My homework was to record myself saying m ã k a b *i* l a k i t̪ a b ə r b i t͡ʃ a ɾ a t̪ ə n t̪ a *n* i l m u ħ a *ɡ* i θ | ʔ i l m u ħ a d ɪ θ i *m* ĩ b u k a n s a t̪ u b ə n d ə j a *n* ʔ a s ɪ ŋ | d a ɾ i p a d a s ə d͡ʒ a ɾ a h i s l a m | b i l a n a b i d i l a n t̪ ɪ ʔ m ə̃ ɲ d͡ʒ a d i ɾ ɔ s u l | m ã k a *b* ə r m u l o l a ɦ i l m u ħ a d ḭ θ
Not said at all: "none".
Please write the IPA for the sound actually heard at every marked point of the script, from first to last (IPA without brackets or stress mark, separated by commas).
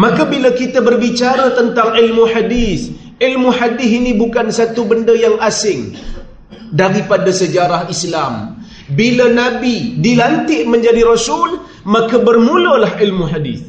i, ŋ, d, n, ŋ, b